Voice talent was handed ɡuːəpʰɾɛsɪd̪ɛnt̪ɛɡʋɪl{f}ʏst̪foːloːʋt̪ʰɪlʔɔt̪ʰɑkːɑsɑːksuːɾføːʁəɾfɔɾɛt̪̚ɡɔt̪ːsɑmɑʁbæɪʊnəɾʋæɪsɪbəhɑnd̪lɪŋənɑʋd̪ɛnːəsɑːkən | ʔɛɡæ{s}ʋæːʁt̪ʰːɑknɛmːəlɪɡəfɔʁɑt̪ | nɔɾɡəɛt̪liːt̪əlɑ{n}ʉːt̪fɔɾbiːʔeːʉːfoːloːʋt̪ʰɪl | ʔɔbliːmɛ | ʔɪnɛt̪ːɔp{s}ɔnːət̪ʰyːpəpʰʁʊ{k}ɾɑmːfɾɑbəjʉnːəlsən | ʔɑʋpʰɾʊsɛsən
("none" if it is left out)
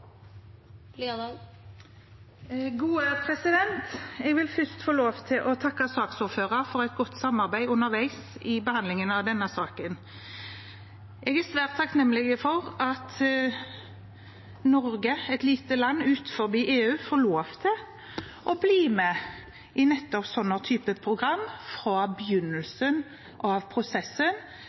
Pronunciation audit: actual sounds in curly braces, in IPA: f, s, nː, s, ɡ

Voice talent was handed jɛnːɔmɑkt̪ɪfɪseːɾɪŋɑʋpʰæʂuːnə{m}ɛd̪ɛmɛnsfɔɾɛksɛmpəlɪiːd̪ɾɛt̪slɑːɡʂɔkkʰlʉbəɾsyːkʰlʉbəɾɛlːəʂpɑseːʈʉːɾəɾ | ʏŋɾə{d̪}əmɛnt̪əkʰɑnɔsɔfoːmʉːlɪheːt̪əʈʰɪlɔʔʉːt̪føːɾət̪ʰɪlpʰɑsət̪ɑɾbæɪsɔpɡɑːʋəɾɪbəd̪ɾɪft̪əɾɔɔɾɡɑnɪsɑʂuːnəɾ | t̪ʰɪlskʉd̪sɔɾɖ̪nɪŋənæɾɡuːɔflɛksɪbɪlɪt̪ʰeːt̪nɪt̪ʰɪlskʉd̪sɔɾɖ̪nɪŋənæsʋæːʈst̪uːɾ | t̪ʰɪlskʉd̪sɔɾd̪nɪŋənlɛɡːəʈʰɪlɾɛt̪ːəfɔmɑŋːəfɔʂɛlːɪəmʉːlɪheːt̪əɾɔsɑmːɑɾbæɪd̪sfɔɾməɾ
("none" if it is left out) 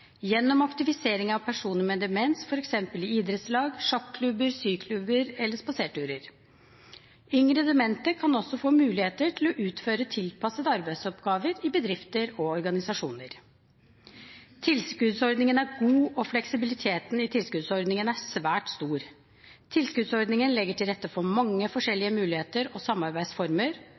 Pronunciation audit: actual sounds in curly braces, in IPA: m, d̪

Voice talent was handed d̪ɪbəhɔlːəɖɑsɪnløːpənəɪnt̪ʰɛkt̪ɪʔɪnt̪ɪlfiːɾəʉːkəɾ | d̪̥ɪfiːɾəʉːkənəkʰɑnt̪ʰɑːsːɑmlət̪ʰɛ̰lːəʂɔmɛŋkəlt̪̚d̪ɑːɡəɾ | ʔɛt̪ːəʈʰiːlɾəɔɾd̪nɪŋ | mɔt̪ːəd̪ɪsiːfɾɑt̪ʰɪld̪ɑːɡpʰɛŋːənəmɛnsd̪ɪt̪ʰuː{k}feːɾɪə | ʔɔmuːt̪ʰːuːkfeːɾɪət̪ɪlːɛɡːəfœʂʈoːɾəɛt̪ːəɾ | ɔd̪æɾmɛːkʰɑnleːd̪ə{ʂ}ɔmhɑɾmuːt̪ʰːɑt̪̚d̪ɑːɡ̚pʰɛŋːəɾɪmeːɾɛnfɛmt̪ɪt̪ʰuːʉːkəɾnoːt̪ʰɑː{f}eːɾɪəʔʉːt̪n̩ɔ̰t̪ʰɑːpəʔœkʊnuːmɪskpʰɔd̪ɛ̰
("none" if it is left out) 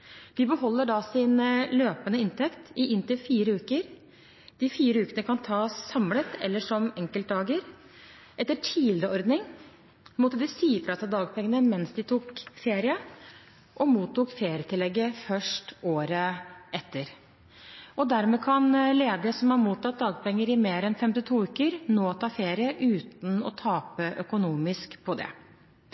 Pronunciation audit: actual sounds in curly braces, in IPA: k, s, f

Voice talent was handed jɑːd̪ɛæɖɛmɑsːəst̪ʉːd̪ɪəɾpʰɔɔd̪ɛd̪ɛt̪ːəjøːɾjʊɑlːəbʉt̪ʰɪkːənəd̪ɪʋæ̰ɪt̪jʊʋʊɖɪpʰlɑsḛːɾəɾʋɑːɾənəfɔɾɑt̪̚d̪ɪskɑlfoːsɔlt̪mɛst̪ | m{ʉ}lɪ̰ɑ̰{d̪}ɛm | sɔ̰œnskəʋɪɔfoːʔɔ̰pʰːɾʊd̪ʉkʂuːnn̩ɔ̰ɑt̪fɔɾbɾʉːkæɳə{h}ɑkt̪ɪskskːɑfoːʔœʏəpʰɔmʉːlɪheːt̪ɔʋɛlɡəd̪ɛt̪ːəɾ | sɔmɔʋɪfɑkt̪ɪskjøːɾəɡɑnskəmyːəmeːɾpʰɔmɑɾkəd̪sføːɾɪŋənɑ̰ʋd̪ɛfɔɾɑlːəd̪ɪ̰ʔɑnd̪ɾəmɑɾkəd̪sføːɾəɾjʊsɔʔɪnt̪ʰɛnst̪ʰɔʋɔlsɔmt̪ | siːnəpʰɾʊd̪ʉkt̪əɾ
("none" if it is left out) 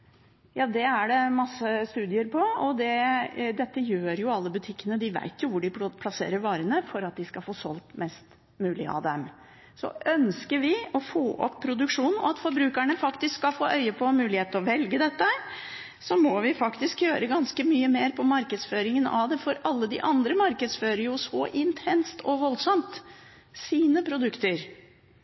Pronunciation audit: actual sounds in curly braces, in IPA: ʉː, d̪, f

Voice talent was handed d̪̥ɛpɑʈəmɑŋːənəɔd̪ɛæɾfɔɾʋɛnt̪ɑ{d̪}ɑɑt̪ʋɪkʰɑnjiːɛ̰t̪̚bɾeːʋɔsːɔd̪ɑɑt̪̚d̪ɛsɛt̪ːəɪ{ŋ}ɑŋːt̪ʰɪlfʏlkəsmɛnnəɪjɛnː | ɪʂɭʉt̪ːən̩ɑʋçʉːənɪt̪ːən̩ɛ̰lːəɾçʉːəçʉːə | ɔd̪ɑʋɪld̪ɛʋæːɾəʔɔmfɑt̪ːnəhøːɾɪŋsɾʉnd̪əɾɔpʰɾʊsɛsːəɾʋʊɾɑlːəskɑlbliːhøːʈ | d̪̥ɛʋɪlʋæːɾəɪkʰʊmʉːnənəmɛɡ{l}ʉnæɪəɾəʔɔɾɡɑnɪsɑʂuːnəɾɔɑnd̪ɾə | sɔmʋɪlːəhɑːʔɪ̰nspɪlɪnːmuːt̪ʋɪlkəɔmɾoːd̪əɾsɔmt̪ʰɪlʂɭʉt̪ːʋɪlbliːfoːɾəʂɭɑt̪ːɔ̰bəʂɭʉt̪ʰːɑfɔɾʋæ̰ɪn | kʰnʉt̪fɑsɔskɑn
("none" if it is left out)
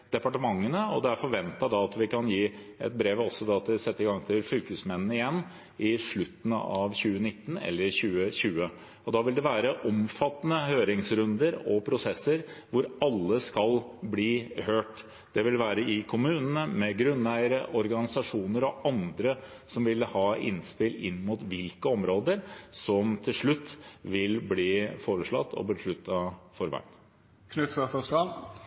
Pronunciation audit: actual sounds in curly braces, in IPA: d̪, ɡ, ɾ

